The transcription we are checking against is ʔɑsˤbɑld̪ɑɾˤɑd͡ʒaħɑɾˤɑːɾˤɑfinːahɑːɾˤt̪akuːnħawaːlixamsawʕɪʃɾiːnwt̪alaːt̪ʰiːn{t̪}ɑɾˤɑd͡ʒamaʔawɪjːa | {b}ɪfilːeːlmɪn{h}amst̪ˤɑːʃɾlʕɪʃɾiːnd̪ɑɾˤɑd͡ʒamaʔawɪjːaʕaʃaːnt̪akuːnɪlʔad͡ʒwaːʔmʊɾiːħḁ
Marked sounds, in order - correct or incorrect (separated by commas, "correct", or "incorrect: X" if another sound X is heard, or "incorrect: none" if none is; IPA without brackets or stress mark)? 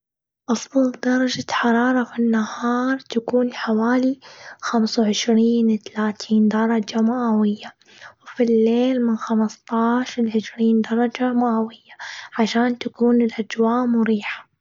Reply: incorrect: d̪, incorrect: w, incorrect: x